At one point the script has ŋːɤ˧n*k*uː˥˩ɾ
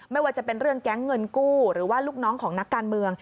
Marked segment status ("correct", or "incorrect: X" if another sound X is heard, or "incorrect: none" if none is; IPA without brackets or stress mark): correct